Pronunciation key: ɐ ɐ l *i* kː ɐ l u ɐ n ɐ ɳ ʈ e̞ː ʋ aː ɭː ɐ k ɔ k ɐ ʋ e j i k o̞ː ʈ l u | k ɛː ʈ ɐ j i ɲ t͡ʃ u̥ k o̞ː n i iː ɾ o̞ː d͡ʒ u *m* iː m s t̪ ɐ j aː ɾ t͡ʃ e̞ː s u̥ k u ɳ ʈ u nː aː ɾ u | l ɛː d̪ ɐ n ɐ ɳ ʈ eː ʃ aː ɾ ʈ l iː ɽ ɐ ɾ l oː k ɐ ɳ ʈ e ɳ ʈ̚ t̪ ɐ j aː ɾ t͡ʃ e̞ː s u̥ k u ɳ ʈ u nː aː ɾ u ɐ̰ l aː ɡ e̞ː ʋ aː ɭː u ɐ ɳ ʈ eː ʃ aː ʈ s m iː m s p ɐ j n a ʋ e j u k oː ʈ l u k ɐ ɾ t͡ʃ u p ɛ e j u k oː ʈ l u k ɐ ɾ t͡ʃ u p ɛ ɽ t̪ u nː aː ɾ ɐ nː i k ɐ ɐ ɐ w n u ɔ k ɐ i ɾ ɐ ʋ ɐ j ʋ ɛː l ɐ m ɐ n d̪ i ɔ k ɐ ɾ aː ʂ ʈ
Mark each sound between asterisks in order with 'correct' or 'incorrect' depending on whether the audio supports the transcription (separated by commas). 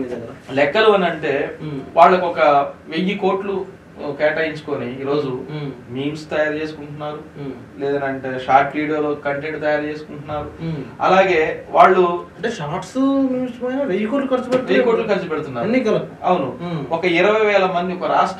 incorrect, correct